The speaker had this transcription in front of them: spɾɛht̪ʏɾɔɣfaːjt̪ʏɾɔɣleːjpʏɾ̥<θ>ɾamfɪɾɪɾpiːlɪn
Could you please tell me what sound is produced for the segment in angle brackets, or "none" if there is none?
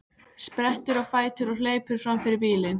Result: f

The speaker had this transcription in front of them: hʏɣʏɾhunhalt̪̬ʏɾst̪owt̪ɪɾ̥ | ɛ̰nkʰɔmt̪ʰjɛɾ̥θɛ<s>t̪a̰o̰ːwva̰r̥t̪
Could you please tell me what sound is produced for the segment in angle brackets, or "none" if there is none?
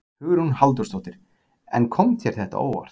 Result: h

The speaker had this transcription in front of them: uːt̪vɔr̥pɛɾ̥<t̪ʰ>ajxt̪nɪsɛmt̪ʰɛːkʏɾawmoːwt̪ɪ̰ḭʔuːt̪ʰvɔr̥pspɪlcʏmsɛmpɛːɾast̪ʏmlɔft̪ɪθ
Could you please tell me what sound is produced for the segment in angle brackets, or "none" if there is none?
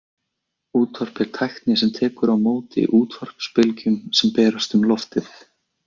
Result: t̪ʰ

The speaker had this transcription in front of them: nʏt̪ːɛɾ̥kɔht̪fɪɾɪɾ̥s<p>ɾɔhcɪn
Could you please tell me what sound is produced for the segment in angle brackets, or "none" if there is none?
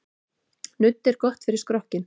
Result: k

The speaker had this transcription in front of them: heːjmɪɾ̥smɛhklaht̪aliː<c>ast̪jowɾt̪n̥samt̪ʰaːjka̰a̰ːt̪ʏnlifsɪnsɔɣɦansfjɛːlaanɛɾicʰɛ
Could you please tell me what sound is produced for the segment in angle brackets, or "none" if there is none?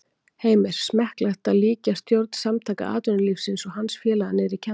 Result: c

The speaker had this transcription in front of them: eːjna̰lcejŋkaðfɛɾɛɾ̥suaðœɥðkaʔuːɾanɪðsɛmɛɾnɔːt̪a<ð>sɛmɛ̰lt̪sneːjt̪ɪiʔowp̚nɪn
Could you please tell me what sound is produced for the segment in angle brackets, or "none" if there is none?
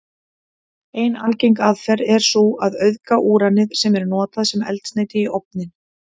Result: ð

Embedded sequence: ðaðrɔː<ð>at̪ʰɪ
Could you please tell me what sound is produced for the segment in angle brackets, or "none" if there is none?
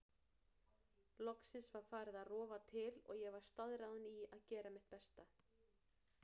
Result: v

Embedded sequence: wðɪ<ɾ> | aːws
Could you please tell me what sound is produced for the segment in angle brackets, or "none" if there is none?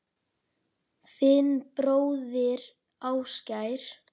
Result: ɾ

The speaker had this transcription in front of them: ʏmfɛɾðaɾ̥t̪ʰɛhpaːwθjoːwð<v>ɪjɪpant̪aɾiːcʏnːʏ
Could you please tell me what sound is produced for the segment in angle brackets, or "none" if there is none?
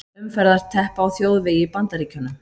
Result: v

